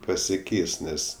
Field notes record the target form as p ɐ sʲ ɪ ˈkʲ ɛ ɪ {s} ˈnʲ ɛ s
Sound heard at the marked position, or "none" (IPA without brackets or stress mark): s